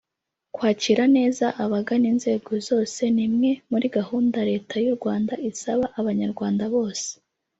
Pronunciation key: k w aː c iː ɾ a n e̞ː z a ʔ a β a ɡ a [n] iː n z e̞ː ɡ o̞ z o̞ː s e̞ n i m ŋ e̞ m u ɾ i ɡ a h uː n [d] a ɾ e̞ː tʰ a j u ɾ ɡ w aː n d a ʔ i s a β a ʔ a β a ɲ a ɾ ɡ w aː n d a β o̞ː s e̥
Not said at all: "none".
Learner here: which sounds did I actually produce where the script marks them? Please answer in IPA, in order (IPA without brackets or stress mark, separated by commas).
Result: n, d